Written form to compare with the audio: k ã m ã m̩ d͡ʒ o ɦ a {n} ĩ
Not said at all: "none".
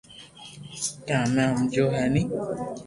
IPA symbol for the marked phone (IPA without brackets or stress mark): n